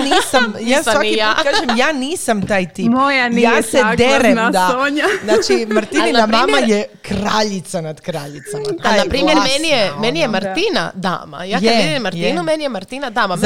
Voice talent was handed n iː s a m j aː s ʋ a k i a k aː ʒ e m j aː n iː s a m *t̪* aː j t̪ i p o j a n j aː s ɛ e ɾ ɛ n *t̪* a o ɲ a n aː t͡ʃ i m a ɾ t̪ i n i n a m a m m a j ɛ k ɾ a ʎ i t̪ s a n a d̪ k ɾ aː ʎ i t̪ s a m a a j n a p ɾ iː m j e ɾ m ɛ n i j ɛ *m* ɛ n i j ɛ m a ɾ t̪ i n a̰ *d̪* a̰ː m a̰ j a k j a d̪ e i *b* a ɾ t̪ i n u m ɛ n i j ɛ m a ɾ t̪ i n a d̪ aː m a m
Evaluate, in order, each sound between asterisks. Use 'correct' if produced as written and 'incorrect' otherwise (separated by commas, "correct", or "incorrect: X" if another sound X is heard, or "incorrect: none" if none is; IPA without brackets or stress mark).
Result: correct, incorrect: d̪, correct, correct, incorrect: m